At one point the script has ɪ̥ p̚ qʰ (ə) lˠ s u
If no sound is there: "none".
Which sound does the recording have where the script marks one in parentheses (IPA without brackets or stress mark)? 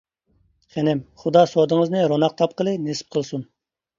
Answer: ə